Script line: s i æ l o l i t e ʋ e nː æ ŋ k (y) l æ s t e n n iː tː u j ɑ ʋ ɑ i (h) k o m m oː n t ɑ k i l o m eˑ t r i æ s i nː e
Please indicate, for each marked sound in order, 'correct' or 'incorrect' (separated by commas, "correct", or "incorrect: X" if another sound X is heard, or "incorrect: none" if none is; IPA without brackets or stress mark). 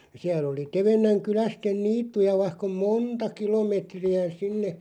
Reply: correct, correct